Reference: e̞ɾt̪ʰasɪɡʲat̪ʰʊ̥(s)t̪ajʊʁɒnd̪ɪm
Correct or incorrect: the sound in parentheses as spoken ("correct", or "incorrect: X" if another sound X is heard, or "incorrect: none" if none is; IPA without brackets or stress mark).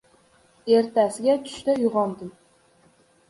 incorrect: ʃ